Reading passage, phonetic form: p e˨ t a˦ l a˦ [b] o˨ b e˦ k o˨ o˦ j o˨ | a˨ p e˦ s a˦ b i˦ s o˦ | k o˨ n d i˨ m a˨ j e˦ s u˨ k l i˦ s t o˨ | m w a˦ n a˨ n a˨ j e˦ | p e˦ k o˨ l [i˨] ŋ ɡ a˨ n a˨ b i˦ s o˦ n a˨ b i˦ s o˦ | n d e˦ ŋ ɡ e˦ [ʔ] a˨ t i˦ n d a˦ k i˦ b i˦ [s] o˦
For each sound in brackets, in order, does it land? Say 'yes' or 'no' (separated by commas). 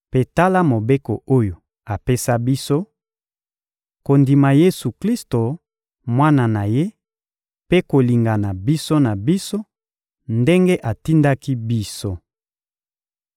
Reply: no, yes, yes, yes